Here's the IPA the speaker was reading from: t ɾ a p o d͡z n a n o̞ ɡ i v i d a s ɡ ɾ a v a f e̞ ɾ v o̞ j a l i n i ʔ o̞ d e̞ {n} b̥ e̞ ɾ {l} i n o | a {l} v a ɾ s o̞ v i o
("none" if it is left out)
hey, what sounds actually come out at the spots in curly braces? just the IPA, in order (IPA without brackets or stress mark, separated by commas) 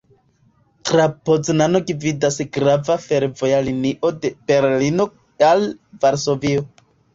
none, l, l